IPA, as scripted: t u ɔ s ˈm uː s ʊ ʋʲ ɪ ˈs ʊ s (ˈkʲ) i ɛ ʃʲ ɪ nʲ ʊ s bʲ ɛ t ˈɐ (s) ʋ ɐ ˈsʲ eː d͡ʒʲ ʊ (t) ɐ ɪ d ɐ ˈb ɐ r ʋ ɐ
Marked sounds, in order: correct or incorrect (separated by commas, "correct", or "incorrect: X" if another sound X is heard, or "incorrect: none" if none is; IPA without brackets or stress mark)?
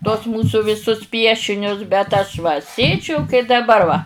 incorrect: pʲ, incorrect: ʃ, incorrect: k